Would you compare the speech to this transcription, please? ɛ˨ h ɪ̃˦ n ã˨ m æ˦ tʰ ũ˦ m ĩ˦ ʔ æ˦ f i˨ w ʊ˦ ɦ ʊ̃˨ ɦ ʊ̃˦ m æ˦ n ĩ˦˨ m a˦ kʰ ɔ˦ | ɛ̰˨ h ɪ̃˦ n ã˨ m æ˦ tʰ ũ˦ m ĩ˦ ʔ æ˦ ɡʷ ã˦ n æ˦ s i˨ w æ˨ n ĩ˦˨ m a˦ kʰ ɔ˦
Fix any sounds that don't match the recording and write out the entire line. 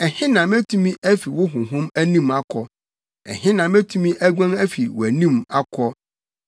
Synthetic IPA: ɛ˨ h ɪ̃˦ n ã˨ m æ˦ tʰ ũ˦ m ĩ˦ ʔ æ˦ f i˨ w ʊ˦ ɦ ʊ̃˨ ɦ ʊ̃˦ m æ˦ n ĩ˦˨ m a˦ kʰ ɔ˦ | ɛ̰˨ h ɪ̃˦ n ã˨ m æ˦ tʰ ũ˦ m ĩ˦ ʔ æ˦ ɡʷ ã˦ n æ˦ f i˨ w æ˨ n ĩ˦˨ m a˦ kʰ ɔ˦